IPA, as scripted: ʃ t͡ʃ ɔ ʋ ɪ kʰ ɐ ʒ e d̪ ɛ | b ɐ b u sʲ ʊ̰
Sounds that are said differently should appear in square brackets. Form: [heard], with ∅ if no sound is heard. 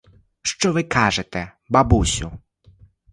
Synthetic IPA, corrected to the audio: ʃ t͡ʃ ɔ ʋ ɪ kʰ [ɑ] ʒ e [t̪] ɛ | b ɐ b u sʲ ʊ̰